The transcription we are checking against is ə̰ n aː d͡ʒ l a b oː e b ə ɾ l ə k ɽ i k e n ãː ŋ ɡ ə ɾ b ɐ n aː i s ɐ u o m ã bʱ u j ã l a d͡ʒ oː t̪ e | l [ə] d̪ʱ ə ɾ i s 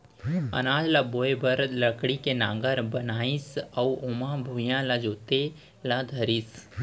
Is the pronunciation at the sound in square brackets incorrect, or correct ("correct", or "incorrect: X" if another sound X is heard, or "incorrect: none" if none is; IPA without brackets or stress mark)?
incorrect: a